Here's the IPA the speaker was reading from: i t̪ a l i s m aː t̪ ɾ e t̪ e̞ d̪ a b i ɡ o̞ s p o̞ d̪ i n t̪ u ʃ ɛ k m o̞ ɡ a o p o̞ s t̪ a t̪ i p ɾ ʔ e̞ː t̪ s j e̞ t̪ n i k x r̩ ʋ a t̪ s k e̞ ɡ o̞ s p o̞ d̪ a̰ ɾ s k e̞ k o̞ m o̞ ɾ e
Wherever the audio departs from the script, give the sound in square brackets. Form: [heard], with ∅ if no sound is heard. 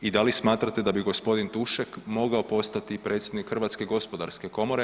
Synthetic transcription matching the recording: i [d̪] a l i s m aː t̪ ɾ [a] t̪ e̞ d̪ a b i ɡ o̞ s p o̞ d̪ i n t̪ u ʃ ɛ k m o̞ ɡ a o p o̞ s t̪ a t̪ i p ɾ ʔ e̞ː t̪ s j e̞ [d̪] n i k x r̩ ʋ a t̪ s k e̞ ɡ o̞ s p o̞ d̪ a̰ ɾ s k e̞ k o̞ m o̞ ɾ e